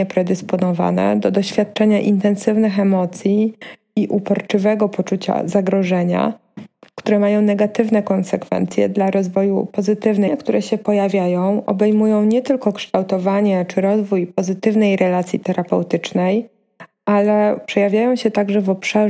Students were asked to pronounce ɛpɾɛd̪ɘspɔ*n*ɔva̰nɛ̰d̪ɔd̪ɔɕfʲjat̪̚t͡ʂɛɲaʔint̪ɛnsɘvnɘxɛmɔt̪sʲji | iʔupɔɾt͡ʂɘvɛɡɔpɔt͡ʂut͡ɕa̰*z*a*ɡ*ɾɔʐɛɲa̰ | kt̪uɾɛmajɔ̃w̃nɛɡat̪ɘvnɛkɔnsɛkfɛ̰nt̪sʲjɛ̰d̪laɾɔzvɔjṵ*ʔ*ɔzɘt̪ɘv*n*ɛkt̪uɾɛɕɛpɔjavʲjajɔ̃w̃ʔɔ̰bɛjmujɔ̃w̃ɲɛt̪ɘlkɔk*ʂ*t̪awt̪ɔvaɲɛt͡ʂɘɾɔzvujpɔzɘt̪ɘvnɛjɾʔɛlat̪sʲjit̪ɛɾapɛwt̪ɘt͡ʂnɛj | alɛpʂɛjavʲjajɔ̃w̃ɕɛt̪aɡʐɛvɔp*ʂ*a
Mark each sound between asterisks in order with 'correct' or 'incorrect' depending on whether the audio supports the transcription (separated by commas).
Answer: correct, correct, correct, incorrect, correct, correct, correct